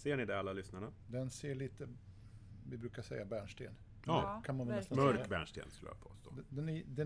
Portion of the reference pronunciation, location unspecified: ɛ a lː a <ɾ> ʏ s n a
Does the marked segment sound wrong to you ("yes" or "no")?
yes